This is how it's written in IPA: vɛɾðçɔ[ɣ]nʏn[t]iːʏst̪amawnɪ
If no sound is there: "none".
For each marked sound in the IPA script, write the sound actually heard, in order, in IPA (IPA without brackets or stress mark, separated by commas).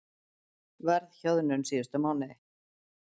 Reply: ð, s